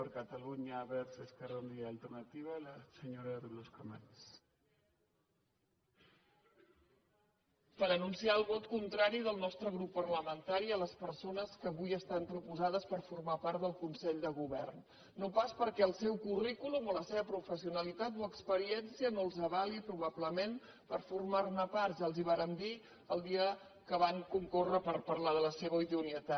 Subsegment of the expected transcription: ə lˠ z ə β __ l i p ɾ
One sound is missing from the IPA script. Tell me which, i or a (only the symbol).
a